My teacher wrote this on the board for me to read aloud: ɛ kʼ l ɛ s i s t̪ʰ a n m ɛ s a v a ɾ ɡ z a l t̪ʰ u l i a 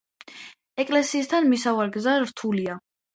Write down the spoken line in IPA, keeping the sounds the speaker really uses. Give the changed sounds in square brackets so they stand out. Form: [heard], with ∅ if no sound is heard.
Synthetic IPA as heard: ɛ kʼ l ɛ s [iː] s t̪ʰ a n m [i] s a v a ɾ ɡ z a [ɾ] t̪ʰ u l i a